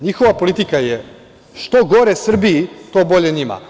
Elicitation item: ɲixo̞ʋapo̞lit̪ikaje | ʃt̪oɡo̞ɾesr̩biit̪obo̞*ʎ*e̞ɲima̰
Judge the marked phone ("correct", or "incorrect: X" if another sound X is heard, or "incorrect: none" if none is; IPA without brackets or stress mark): correct